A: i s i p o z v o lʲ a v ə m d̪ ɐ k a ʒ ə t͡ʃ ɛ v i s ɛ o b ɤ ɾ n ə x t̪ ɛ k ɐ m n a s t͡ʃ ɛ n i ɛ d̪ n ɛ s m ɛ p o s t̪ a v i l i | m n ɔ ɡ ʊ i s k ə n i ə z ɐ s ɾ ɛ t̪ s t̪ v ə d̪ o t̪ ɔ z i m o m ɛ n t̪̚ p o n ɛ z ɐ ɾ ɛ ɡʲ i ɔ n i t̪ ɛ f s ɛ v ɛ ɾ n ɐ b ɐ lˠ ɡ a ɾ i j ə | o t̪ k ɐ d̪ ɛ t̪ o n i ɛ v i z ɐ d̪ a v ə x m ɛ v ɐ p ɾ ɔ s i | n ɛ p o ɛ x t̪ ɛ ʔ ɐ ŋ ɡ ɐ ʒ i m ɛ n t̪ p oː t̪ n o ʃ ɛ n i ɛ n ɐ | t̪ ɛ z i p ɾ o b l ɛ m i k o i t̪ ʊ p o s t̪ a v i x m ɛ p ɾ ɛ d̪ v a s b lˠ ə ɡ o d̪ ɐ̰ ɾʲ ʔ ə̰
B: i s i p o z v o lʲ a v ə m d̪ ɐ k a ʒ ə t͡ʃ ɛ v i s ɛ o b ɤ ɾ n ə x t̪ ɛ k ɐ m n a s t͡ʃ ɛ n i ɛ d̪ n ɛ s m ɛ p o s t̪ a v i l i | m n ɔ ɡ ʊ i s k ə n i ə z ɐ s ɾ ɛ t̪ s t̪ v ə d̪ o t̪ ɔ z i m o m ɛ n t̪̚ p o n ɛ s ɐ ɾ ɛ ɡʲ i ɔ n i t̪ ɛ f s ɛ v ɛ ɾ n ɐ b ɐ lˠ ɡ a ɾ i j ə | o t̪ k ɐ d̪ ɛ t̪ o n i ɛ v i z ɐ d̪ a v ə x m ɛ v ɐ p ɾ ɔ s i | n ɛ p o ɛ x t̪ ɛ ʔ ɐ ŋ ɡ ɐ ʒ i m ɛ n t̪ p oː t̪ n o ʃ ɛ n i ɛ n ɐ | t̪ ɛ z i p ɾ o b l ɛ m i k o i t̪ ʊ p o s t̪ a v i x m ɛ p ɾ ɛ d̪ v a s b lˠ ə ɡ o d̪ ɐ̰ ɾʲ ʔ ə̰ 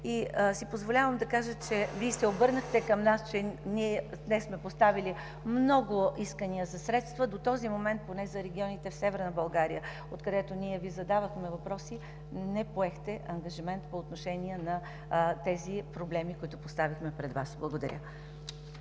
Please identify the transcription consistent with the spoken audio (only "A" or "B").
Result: A